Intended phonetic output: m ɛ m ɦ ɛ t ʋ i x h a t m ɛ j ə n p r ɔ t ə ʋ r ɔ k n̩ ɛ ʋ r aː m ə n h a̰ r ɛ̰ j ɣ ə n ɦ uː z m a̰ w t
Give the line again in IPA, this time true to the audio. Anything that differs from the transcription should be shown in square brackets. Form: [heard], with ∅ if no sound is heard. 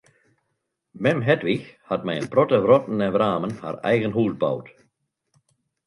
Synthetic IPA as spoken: m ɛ m ɦ ɛ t ʋ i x h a t m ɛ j ə n p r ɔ t ə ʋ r ɔ [t] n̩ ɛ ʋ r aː m ə n h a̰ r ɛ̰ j ɣ ə n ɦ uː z [b] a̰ w t